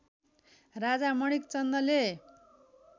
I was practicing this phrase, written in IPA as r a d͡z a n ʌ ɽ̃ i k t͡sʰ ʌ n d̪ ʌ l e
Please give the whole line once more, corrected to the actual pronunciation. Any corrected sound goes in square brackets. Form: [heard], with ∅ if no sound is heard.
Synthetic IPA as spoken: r a d͡z a [m] ʌ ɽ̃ i k [t͡s] ʌ n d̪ ʌ l e